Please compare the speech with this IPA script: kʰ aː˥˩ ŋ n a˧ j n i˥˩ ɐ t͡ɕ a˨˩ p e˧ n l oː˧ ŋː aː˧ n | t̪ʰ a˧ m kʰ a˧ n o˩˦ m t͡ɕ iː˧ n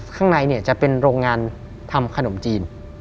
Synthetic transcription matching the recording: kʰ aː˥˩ ŋ n a˧ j n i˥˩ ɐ t͡ɕ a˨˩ p e˧ n ɾ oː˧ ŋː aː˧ n | t̪ʰ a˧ m kʰ a˧ n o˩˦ m t͡ɕ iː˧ n